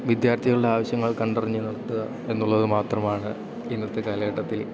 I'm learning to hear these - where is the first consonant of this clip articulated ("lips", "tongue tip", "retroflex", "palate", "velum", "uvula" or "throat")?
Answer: lips